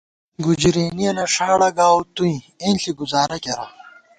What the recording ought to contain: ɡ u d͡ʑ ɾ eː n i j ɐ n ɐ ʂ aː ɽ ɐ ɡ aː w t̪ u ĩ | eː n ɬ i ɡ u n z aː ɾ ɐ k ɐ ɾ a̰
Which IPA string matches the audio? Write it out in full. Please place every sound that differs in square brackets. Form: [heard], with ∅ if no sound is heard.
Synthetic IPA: ɡ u d͡ʑ ɾ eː n i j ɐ n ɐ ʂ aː ɽ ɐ ɡ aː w t̪ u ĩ | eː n ɬ i ɡ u [∅] z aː ɾ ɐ k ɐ ɾ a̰